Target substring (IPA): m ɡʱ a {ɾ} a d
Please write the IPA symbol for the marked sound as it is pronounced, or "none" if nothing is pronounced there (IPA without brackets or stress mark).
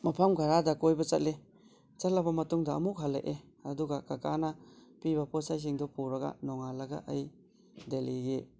ɾ